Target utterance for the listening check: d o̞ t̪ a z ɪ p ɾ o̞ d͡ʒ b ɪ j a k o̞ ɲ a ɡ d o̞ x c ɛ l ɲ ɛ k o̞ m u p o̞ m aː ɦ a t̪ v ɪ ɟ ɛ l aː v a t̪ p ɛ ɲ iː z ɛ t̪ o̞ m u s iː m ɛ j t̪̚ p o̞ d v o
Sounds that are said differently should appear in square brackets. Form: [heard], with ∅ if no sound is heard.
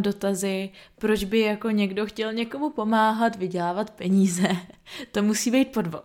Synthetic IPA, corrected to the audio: d o̞ t̪ a z ɪ p ɾ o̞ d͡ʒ b ɪ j a k o̞ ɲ [ɛ] ɡ d o̞ x c ɛ l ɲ ɛ k o̞ m u p o̞ m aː ɦ a t̪ v ɪ ɟ ɛ l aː v a t̪ p ɛ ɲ iː z ɛ t̪ o̞ m u s iː [b] ɛ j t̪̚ p o̞ d v o